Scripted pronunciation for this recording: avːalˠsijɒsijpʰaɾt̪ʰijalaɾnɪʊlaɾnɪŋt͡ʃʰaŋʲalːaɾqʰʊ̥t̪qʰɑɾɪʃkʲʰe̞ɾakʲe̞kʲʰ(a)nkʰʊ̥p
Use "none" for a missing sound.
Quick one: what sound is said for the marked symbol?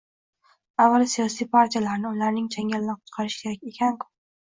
a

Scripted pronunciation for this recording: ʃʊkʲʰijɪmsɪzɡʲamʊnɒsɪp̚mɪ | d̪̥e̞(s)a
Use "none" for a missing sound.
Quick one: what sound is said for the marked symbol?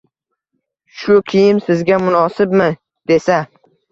s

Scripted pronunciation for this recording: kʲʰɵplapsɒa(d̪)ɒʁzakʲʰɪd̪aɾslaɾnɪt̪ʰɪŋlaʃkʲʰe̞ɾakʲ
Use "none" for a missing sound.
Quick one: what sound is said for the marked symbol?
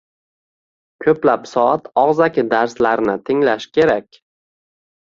t̪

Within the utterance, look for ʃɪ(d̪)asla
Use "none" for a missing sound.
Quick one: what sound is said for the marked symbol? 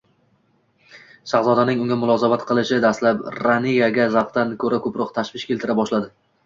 d̪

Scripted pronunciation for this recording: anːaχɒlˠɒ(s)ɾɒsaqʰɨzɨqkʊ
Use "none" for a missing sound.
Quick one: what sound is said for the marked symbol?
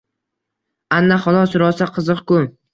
s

